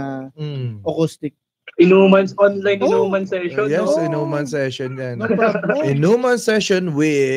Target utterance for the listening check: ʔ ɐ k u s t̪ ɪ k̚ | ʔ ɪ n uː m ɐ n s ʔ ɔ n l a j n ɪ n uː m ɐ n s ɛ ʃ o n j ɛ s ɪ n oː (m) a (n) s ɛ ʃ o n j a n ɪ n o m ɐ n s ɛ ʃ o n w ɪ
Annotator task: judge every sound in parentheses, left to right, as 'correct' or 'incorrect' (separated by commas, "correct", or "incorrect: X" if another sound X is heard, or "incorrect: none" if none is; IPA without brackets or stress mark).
correct, correct